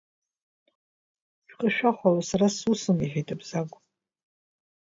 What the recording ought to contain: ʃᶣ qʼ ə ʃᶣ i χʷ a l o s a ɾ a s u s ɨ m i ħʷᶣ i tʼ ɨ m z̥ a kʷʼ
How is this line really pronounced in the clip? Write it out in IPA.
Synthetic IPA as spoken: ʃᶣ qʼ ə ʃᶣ a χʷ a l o s a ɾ a s u s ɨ m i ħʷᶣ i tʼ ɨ b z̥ a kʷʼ